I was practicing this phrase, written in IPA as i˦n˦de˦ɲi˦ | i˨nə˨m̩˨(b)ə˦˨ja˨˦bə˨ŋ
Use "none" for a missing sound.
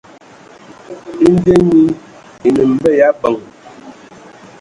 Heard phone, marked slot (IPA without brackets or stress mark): b